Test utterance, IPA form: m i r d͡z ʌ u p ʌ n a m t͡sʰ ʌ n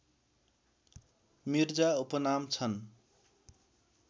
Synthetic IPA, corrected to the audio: m i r d͡z a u p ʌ n a m t͡sʰ ʌ n